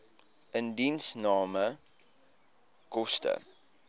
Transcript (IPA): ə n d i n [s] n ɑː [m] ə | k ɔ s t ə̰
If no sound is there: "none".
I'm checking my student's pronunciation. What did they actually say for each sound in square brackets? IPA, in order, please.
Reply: s, m

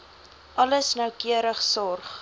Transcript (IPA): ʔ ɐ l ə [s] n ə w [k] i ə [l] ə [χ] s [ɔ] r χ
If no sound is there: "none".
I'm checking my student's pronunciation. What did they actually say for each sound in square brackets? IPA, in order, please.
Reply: s, k, ɾ, χ, ɔ

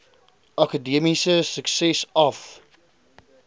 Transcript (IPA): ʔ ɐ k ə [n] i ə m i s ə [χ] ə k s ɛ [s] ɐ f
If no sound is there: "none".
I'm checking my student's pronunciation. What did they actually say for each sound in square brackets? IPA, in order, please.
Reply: d, s, s

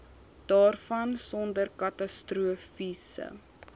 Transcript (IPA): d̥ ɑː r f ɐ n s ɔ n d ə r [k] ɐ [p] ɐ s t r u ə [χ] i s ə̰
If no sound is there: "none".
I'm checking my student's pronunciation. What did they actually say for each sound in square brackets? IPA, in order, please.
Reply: k, t, f

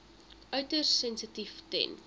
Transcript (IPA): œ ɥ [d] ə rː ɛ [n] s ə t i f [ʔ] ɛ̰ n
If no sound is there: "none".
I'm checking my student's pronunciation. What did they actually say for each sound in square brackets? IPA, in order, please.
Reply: t, n, t

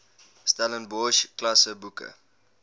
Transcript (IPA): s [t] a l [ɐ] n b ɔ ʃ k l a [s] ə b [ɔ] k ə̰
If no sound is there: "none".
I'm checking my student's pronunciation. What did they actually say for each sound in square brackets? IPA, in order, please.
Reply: t, ə, s, u

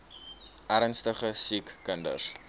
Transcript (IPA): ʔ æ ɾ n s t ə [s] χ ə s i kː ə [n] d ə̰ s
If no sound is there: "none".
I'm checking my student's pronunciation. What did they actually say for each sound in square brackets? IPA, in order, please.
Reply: none, n

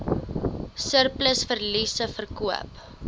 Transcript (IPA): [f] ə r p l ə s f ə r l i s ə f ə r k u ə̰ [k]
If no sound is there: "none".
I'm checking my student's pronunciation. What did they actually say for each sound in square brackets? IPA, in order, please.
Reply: s, p

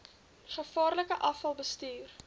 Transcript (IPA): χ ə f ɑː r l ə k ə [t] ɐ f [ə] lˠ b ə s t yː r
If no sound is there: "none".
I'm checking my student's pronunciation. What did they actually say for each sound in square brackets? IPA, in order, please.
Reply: ʔ, ɐ

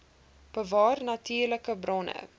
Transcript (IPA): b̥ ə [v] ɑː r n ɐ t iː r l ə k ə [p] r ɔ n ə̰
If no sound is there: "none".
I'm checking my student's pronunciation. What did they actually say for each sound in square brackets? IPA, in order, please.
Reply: v, b

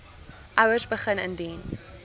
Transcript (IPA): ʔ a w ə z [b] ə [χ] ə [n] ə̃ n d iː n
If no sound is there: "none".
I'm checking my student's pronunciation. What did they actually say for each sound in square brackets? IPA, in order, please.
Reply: b, χ, n

